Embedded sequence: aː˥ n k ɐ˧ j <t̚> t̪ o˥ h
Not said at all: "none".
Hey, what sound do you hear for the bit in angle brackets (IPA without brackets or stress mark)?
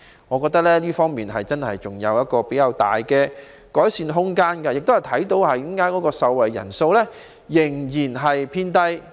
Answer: k̚